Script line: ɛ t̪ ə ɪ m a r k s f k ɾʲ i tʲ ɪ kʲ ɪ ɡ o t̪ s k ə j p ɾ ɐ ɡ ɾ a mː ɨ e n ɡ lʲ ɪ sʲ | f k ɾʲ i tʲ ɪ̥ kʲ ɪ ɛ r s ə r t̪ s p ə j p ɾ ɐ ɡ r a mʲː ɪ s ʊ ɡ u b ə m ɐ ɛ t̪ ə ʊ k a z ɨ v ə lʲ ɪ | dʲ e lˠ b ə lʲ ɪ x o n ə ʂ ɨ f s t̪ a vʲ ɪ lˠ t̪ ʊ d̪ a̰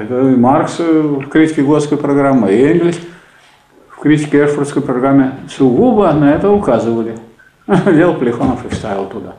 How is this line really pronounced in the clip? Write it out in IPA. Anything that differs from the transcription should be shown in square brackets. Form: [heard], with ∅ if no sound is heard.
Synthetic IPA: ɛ t̪ ə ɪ m a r k s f k ɾʲ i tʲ ɪ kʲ ɪ ɡ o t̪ s k ə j p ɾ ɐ ɡ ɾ a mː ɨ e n ɡ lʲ ɪ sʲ | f k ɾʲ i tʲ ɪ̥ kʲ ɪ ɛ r [f] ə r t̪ s [k] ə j p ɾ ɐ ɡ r a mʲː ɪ s ʊ ɡ u b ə [n] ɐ ɛ t̪ ə ʊ k a z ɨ v ə lʲ ɪ | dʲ e lˠ [p] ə lʲ ɪ x o n ə [f] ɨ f s t̪ a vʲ ɪ lˠ t̪ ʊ d̪ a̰